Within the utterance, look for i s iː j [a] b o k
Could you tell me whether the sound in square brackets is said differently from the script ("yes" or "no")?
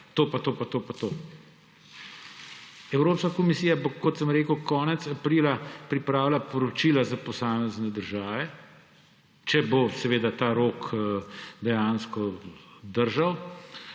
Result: no